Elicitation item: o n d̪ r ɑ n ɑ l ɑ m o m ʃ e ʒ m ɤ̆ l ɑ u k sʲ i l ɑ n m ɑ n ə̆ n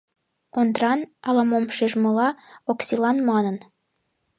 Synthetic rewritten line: o n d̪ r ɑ n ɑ l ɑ m o m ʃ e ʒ m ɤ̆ l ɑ o k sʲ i l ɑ n m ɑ n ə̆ n